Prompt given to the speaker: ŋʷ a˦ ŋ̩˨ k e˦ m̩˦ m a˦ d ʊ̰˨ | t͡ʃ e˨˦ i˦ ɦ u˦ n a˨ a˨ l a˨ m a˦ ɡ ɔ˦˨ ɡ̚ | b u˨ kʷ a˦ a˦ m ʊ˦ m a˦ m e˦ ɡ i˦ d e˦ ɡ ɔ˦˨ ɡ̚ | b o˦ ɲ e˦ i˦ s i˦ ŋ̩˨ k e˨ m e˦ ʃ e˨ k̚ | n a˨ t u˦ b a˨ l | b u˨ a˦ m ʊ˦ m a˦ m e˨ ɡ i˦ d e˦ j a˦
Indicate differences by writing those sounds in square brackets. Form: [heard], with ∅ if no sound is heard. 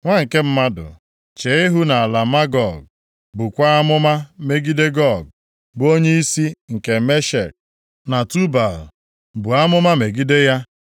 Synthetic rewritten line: ŋʷ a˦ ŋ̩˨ k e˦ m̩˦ m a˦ d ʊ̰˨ | t͡ʃ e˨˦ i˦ ɦ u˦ n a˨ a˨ l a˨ m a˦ ɡ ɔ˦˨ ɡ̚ | b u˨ kʷ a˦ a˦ m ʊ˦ m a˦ m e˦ ɡ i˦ d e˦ ɡ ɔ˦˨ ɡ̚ | b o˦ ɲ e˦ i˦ s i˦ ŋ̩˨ k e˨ m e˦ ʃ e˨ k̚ | n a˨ t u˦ b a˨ l | b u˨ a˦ m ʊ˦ m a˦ m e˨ ɡ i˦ d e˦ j a˦